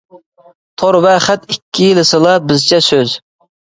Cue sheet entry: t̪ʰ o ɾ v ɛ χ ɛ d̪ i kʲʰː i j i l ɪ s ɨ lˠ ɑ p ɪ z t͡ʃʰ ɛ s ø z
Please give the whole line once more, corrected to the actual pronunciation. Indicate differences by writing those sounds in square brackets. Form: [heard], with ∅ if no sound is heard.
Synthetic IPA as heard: t̪ʰ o ɾ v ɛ χ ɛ [t̪] i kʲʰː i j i l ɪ s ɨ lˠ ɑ [b] ɪ z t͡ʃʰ ɛ s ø z